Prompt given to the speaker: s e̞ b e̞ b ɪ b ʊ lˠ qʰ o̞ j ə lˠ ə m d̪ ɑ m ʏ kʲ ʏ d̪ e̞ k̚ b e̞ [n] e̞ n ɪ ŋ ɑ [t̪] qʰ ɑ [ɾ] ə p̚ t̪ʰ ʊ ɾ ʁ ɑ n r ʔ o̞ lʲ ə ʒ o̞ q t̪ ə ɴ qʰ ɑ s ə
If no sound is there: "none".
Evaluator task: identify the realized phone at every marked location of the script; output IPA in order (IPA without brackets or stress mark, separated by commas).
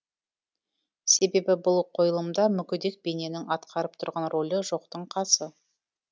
n, t̪, ɾ